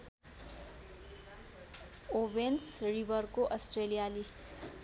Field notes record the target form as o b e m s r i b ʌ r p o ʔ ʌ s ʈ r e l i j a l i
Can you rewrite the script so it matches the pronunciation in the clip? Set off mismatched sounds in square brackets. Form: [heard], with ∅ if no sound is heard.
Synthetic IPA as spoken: o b e [n] s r i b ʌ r [k] o ʔ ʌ s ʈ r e l i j a l i